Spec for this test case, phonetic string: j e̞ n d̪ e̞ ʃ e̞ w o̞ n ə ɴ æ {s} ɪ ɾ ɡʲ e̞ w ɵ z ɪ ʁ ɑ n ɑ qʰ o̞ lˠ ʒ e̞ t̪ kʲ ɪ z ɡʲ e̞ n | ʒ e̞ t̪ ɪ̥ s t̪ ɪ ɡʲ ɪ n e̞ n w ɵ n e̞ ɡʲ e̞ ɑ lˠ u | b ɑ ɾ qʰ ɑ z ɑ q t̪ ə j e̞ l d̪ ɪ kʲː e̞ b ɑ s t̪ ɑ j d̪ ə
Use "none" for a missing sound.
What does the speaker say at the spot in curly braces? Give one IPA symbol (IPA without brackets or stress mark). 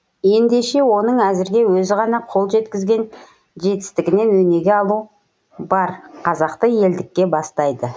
z